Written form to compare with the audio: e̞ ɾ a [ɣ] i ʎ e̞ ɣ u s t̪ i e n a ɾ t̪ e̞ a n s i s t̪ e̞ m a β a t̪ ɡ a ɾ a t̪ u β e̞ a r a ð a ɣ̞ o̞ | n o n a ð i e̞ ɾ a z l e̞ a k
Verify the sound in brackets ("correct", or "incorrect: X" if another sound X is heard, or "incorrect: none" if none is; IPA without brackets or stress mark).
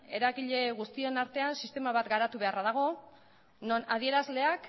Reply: correct